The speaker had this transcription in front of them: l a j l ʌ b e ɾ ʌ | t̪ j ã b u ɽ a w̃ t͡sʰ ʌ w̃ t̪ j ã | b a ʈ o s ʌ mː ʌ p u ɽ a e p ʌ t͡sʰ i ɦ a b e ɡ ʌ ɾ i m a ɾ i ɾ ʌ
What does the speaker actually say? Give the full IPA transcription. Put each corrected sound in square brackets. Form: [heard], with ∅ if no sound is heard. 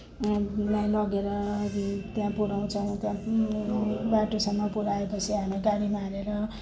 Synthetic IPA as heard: l a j l ʌ [ɡ] e ɾ ʌ | t̪ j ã [p] u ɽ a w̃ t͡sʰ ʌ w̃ t̪ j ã | b a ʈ o s ʌ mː ʌ p u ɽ a e p ʌ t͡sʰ i ɦ a [m] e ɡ [a] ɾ i m a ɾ [e] ɾ ʌ